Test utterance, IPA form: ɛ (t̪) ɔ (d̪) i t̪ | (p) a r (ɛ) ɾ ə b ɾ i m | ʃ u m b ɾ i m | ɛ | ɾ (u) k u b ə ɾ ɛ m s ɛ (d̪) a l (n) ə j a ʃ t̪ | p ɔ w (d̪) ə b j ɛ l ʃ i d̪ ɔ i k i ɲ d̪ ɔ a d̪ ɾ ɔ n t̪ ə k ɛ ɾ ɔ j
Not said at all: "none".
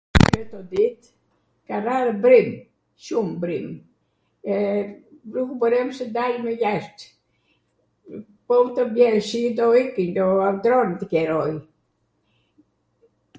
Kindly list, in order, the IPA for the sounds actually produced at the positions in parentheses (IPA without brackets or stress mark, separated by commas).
t̪, d̪, k, a, u, d̪, m, t̪